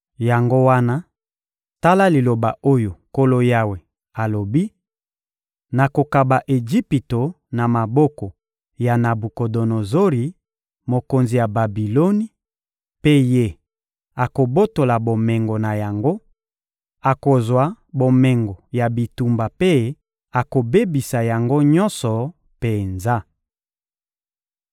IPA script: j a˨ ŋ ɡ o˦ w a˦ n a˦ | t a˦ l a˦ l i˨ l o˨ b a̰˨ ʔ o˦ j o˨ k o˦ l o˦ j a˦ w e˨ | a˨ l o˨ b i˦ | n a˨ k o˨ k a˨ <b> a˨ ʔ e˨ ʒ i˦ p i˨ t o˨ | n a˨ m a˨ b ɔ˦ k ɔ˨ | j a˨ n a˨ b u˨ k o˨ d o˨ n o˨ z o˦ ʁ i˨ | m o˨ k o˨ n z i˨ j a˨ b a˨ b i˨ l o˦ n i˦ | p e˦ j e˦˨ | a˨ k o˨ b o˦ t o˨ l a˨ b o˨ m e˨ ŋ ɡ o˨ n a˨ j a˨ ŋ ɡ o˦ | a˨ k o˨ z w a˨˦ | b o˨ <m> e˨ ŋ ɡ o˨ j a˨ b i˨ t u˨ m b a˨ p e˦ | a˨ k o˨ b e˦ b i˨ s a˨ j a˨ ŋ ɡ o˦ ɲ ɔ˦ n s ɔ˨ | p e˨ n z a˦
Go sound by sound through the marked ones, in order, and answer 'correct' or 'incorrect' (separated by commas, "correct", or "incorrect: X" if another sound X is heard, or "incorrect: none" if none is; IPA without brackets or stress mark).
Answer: correct, correct